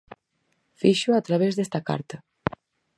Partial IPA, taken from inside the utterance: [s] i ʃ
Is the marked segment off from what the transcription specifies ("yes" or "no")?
yes